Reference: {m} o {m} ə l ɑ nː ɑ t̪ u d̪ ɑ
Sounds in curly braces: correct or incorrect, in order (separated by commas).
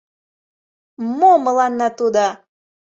correct, correct